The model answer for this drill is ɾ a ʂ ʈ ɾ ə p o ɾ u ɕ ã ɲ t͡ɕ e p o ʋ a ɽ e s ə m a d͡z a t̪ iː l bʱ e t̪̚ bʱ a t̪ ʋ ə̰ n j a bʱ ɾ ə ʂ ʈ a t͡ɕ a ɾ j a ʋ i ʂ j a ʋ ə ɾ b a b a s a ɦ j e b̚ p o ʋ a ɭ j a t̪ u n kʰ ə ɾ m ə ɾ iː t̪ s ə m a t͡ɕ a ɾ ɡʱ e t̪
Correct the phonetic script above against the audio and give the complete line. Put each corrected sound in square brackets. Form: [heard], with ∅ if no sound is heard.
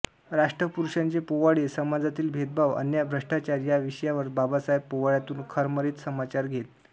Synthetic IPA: ɾ a ʂ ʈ ɾ ə p [u] ɾ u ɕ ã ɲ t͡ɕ e p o ʋ a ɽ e s ə m a d͡z a t̪ iː l bʱ e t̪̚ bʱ a [∅] ʋ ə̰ n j a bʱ ɾ ə ʂ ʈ a t͡ɕ a ɾ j a ʋ i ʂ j a ʋ ə ɾ b a b a s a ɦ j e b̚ p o ʋ a ɭ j a t̪ [uː] n kʰ ə ɾ m ə ɾ iː t̪ s ə m a t͡ɕ a ɾ ɡʱ e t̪

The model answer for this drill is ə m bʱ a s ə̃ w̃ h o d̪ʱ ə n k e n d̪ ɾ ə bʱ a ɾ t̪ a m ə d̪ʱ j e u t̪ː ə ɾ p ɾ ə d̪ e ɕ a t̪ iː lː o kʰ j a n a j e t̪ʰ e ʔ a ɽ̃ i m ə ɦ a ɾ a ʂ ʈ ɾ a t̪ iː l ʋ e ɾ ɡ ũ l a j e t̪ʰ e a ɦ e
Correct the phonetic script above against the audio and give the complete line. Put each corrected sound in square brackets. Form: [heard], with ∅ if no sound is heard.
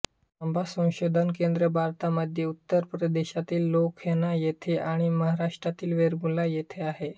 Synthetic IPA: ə m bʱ a s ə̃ w̃ [ɕ] o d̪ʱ ə n k e n d̪ ɾ ə bʱ a ɾ t̪ a m ə d̪ʱ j e u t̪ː ə ɾ p ɾ ə d̪ e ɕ a t̪ iː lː o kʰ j [e] n a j e t̪ʰ e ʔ a ɽ̃ i m ə ɦ a ɾ a ʂ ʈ ɾ a t̪ iː l ʋ e ɾ ɡ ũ l a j e t̪ʰ e a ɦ e

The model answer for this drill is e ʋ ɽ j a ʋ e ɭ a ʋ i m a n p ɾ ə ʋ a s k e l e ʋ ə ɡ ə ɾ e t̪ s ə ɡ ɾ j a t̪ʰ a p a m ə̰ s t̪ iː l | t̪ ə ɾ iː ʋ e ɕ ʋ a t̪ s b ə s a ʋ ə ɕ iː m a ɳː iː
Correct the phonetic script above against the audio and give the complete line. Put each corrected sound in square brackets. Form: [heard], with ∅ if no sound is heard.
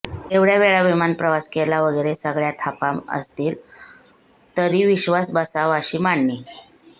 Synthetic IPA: e ʋ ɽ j a ʋ e ɭ a ʋ i m a n p ɾ ə ʋ a s k e l [a] ʋ ə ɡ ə ɾ e [∅] s ə ɡ [ɭ] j a t̪ʰ a p a m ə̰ s t̪ iː l | t̪ ə ɾ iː ʋ [i] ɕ ʋ a [∅] s b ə s a ʋ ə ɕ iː m a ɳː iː

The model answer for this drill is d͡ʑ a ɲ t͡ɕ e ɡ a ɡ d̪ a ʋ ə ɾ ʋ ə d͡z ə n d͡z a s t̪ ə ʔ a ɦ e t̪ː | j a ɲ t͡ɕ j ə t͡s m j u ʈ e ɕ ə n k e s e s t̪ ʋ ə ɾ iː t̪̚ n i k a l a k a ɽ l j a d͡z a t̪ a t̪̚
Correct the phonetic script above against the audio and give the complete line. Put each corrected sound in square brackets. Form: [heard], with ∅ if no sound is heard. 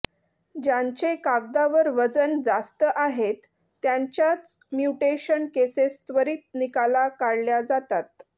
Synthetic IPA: d͡ʑ a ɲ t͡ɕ e [k] a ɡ d̪ a ʋ ə ɾ ʋ ə d͡z ə n d͡z a s t̪ ə ʔ a ɦ e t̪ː | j a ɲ t͡ɕ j [a] t͡s m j u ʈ e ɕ ə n k e s e s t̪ ʋ ə ɾ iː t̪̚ n i k a l a k a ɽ l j a d͡z a t̪ a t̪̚

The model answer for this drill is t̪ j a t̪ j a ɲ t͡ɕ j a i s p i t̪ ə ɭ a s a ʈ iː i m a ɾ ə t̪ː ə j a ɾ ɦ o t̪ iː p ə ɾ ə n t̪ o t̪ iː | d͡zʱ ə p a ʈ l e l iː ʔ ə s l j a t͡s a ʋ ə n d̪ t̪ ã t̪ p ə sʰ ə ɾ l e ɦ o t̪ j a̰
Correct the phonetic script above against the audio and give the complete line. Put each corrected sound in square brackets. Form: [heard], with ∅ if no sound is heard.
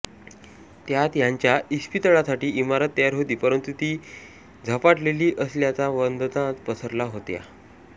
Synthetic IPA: t̪ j a t̪ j a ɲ t͡ɕ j a i s p i t̪ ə ɭ a s a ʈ iː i m a ɾ ə t̪ː ə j a ɾ ɦ o t̪ iː p ə ɾ ə n t̪ [u] t̪ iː | d͡zʱ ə p a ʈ l e l iː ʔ ə s l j a t͡s a ʋ ə n d̪ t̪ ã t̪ p ə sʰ ə ɾ l [a] ɦ o t̪ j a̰

